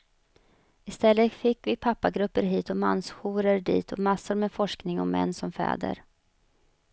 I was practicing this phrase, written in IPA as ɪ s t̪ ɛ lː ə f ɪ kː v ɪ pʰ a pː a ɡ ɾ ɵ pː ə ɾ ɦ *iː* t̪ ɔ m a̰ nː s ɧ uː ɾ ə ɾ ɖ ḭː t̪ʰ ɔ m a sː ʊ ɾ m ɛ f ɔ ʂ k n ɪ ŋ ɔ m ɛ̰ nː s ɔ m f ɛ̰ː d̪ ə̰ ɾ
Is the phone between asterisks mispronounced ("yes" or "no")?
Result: no